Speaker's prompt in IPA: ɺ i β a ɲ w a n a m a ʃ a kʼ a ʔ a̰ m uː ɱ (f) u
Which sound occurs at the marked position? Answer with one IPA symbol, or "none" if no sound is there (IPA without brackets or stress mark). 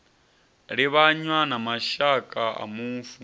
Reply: f